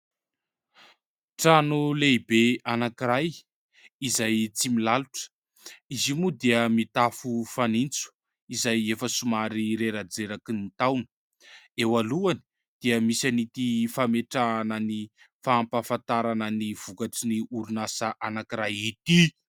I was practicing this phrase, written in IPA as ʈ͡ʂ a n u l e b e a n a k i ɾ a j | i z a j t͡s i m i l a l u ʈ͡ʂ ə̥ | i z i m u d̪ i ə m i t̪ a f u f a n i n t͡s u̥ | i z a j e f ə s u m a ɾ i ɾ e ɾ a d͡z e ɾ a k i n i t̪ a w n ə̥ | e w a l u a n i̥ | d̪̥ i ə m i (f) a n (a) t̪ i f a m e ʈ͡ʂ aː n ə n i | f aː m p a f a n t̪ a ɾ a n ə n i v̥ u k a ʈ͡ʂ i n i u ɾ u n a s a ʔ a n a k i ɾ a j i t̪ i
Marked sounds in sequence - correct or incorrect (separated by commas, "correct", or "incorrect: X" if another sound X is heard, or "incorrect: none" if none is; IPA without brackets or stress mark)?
incorrect: s, incorrect: i